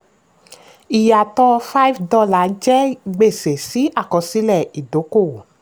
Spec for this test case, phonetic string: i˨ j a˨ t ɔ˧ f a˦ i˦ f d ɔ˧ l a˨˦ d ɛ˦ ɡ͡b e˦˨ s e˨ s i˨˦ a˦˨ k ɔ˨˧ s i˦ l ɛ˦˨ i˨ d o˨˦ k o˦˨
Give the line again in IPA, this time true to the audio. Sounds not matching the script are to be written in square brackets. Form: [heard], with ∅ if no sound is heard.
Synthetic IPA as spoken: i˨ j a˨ t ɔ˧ f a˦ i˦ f d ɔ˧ l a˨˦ [d͡ʒ] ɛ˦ ɡ͡b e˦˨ s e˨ s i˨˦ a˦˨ k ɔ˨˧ s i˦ l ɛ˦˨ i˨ d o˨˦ k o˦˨